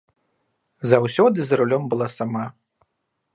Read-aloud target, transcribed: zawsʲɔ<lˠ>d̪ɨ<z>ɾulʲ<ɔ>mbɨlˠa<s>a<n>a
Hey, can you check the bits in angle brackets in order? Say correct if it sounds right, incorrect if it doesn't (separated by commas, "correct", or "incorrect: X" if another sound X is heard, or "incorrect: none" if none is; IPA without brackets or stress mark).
incorrect: none, correct, correct, correct, incorrect: m